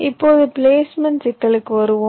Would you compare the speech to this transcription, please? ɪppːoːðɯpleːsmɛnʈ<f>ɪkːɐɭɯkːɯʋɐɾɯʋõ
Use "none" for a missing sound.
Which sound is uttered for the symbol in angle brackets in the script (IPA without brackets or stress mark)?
s